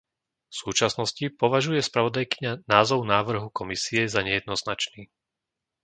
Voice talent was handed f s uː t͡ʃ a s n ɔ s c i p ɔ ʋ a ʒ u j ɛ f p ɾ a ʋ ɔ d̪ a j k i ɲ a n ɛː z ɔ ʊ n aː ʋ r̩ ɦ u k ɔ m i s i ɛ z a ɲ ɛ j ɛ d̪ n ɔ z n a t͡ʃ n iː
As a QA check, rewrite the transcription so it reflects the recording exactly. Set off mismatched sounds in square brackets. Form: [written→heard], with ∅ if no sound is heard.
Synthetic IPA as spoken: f s uː t͡ʃ a s n ɔ s c i p ɔ ʋ a ʒ u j ɛ [f→s] p ɾ a ʋ ɔ d̪ a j k i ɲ a n [ɛː→aː] z ɔ ʊ n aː ʋ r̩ ɦ u k ɔ m i s i ɛ z a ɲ ɛ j ɛ d̪ n ɔ z n a t͡ʃ n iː